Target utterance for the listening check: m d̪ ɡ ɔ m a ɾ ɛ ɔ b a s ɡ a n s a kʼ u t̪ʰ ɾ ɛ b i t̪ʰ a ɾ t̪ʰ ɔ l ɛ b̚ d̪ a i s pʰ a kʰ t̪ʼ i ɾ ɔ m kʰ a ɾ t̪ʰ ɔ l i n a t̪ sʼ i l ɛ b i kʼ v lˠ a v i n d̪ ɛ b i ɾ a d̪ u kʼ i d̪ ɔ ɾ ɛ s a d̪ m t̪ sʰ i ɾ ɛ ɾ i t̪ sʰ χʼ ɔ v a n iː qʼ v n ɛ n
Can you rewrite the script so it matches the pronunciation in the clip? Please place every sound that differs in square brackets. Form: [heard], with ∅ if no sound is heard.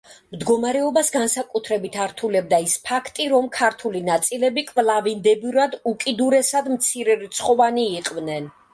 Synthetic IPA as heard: m d̪ ɡ ɔ m a ɾ ɛ ɔ b a s ɡ a n s a kʼ u t̪ʰ ɾ ɛ b i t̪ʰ a ɾ t̪ʰ [u] l ɛ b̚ d̪ a i s pʰ a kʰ t̪ʼ i ɾ ɔ m kʰ a ɾ t̪ʰ [u] l i n a t̪ sʼ i l ɛ b i kʼ v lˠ a v i n d̪ ɛ b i ɾ a d̪ u kʼ i d̪ [u] ɾ ɛ s a d̪ m t̪ sʰ i ɾ ɛ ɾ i t̪ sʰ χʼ ɔ v a n iː qʼ v n ɛ n